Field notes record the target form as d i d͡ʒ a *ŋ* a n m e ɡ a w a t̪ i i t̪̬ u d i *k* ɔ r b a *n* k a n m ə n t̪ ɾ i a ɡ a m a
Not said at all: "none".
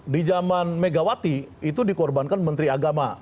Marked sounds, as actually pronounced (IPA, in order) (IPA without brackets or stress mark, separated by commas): m, k, n